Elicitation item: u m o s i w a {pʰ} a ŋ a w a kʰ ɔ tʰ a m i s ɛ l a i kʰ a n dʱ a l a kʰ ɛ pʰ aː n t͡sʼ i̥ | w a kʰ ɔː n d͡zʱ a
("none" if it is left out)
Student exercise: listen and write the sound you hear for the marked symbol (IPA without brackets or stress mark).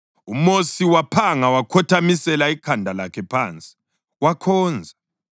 pʰ